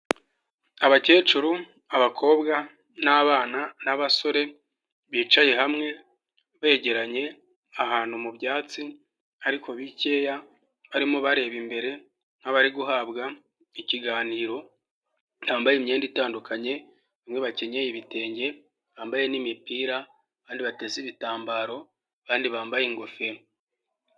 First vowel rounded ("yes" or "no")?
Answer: no